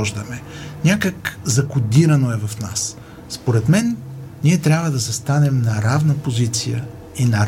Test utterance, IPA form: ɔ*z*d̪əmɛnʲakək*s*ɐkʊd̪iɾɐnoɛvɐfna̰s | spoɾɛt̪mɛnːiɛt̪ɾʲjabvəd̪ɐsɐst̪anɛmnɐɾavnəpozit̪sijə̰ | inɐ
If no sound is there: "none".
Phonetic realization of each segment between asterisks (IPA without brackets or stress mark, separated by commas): ʒ, z